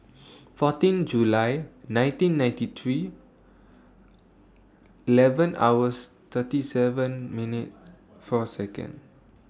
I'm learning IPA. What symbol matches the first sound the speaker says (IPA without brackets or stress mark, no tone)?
f